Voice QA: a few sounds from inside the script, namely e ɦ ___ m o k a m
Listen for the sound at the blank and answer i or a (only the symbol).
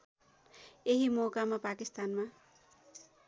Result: i